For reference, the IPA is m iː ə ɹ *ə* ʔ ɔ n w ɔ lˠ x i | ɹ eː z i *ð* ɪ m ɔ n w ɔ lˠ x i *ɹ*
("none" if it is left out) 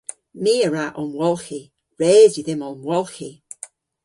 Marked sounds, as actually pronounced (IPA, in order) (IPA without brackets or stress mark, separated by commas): a, ð, none